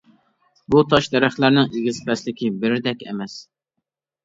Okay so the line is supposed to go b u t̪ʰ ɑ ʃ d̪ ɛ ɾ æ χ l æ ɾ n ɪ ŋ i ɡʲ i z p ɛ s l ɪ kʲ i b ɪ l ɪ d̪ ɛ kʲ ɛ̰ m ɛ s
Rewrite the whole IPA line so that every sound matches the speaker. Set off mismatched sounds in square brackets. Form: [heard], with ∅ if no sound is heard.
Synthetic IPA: b u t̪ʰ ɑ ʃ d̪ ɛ ɾ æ χ l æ ɾ n ɪ ŋ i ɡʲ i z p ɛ s l ɪ kʲ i b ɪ [ɾ] ɪ d̪ ɛ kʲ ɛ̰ m ɛ s